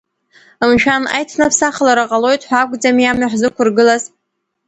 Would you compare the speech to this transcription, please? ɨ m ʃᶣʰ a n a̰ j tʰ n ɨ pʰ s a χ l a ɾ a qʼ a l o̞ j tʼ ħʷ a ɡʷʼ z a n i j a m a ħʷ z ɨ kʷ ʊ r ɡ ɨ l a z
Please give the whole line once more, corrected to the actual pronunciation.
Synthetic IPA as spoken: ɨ m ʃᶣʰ a n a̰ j tʰ n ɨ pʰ s a χ l a ɾ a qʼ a l o̞ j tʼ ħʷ a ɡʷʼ d͡z a m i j a m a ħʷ z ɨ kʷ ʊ r ɡ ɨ l a z

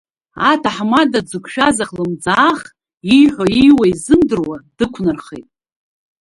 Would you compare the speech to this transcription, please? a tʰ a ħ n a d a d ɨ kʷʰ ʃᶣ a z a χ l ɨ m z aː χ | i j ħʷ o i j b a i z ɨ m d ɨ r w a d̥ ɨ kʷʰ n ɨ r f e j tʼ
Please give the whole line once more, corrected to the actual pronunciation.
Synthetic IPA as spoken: a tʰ a ħ m a d a d͡z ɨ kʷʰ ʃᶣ a z a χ l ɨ m d͡z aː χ | i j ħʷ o i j w a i z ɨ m d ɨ r w a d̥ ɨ kʷʰ n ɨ r χ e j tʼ

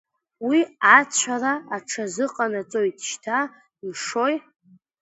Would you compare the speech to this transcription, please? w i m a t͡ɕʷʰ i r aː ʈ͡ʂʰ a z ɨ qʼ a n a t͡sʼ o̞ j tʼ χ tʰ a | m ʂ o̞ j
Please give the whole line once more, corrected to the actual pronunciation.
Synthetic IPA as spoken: w i a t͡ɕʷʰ a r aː ʈ͡ʂʰ a z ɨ qʼ a n a t͡sʼ o̞ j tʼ ʃ tʰ a | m ʂ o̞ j

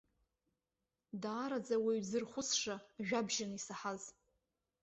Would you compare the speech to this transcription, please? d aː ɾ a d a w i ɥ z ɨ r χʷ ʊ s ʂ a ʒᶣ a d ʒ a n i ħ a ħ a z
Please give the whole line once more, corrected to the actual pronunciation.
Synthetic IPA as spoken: d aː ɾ a d͡z a w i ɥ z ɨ r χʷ ʊ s ʂ a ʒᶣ a b ʒ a n i s a ħ a z

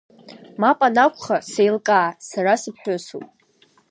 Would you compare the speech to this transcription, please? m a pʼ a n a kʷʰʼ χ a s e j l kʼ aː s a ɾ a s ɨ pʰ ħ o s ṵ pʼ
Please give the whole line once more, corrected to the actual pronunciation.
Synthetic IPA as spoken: m a pʼ a n a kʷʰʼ χ a s e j l kʼ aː s a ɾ a s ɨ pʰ ħ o s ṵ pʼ

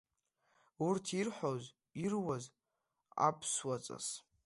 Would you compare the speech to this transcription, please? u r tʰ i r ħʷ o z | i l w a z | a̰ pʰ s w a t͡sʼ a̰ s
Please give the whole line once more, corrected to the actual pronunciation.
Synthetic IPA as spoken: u r tʰ i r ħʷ o z | i r w a z | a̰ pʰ s w a t͡sʼ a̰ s

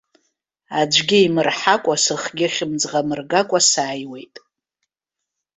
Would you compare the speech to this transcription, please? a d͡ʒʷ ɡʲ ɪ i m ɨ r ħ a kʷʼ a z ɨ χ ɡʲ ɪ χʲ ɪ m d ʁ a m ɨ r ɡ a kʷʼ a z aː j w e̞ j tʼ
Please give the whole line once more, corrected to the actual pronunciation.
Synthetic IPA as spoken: a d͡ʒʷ ɡʲ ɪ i m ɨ r ħ a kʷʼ a s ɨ χ ɡʲ ɪ χʲ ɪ m d͡z ʁ a m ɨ r ɡ a kʷʼ a s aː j w e̞ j tʼ

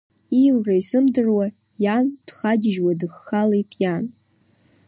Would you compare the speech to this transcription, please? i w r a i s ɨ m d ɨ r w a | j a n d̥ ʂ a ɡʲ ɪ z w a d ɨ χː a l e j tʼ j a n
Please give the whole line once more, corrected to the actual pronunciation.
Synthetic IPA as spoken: i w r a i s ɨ m d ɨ r w a | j a n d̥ χ a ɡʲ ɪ ʒ w a d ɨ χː a l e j tʼ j a n

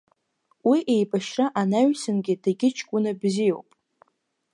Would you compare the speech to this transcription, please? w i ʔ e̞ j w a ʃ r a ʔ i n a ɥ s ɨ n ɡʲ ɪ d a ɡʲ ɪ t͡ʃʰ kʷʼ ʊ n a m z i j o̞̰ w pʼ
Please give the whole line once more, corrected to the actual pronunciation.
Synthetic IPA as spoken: w i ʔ e̞ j b a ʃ r a ʔ a n a ɥ s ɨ n ɡʲ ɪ d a ɡʲ ɪ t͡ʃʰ kʷʼ ʊ n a b z i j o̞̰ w pʼ

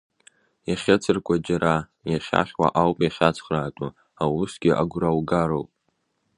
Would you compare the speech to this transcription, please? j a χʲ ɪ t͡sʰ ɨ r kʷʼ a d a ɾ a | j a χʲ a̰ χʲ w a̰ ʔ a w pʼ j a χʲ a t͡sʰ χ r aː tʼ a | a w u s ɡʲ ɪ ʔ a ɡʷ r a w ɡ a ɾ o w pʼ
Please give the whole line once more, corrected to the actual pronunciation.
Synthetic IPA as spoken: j a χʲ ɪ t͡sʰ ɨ r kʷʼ a d͡ʒ a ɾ a | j a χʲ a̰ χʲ w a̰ ʔ a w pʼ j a χʲ a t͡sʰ χ r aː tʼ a | a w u s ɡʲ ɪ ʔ a ɡʷ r a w ɡ a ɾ o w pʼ

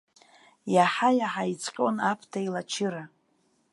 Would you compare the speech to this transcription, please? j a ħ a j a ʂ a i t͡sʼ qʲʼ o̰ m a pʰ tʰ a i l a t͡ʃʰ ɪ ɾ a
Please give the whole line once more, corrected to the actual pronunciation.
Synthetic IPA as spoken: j a ħ a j a ħ a i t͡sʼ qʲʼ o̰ n a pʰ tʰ a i l a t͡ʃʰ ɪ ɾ a

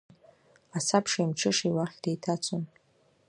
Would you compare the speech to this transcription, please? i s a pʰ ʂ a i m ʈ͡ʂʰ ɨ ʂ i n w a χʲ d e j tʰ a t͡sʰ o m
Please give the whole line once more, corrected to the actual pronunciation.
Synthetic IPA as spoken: a s a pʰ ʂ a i m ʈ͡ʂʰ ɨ ʂ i w a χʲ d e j tʰ a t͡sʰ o n

